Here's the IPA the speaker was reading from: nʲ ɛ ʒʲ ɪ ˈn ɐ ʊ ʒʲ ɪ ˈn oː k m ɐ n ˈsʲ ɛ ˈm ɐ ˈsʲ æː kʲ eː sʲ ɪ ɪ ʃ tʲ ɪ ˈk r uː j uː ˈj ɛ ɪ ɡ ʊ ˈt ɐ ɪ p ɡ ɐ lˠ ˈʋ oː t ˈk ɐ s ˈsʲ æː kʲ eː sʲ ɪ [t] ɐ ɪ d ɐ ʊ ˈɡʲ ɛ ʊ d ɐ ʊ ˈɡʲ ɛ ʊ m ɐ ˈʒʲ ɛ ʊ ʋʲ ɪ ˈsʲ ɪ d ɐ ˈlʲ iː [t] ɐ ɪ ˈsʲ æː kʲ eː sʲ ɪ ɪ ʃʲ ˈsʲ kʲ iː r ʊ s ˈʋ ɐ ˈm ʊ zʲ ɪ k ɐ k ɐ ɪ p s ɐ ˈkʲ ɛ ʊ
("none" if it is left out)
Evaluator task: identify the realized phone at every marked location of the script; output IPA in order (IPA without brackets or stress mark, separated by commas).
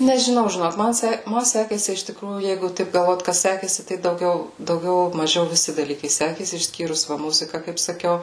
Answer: t, k